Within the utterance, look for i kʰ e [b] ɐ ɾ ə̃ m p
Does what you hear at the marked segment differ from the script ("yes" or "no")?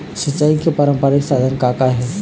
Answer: yes